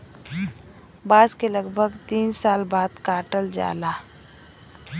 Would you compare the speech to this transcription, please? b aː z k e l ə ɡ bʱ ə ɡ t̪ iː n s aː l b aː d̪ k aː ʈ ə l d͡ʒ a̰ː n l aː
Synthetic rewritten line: b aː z k e l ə ɡ bʱ ə ɡ t̪ iː n s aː l b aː d̪ k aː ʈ ə l d͡ʒ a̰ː l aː